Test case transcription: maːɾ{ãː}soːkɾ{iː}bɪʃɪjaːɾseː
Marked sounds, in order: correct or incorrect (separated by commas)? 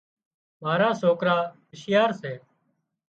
incorrect, incorrect